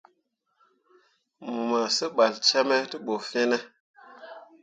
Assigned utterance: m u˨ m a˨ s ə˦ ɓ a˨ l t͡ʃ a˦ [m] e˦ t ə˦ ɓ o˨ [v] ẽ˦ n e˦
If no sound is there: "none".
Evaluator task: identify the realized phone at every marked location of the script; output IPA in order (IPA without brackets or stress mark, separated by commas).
m, f